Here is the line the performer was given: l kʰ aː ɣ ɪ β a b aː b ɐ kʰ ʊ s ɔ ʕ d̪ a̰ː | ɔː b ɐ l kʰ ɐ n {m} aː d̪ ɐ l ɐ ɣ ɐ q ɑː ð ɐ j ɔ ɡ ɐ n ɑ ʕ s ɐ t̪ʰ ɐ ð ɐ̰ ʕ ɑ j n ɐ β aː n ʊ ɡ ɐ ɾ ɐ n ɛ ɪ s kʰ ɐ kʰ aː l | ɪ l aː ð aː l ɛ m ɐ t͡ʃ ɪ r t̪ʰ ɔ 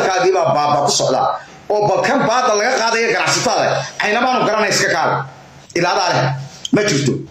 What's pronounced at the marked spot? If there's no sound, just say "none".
b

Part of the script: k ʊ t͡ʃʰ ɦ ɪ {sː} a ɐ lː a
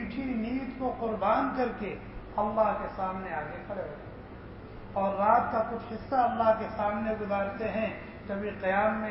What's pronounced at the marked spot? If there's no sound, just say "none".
sː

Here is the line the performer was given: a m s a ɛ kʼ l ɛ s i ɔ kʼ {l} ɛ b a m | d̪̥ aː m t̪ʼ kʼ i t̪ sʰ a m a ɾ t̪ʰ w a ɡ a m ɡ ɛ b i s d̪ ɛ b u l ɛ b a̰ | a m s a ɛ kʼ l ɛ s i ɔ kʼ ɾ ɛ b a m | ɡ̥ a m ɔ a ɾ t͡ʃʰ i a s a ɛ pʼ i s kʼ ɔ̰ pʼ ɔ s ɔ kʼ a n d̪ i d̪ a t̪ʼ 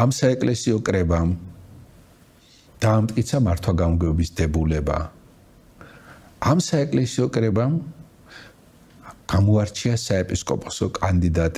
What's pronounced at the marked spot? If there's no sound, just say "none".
ɾ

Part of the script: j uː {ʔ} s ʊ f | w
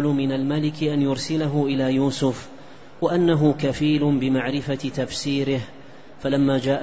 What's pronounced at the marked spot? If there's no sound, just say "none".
none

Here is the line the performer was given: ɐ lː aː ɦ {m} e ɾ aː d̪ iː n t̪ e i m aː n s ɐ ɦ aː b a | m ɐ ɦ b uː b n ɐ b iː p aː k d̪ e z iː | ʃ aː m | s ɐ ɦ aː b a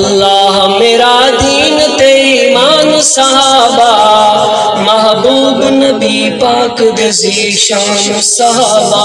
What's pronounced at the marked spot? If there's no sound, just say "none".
m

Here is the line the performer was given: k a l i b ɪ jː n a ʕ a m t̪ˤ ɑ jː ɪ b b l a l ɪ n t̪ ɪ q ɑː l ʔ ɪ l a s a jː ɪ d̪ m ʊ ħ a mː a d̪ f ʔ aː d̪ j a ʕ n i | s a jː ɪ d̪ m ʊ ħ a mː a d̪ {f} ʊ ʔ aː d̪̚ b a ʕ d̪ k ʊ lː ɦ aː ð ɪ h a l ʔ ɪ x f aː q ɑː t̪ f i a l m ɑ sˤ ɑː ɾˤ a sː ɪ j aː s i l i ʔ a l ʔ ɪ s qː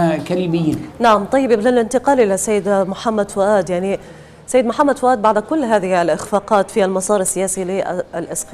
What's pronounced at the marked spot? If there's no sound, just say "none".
f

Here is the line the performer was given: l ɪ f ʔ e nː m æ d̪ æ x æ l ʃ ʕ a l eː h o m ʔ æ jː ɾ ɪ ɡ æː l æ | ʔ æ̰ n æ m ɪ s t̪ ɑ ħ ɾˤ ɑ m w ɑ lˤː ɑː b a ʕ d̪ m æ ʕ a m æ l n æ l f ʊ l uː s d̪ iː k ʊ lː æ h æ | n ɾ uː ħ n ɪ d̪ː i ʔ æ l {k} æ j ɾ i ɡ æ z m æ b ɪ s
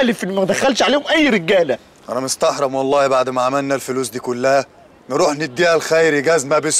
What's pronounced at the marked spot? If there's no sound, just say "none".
x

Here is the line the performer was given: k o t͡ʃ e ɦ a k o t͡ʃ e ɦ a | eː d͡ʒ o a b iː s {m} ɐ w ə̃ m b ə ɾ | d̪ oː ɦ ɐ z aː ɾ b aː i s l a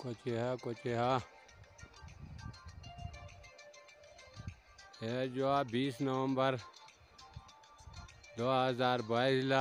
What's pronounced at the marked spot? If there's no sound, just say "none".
n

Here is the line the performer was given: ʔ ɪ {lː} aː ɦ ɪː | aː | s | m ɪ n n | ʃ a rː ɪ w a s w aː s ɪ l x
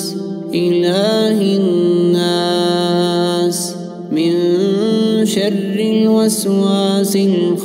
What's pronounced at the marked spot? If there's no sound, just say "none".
l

